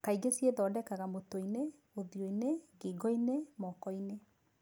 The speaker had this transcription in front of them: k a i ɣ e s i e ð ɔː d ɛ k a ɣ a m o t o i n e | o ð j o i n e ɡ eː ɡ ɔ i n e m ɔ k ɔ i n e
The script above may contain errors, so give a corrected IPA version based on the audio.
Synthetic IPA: k a i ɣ e s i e ð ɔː d ɛ k a ɣ a m o t o i n e | o ð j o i n e ɡ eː ɡ ɔ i n e m ɔ k ɔ i n e